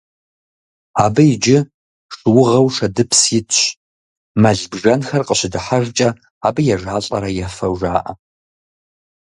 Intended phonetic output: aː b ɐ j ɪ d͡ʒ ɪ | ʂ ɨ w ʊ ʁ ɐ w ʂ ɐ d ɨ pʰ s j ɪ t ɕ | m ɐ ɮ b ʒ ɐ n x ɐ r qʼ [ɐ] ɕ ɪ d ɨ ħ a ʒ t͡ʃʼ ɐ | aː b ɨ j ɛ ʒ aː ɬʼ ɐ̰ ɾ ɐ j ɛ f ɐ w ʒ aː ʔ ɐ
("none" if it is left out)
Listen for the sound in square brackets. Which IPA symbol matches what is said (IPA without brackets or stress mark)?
ə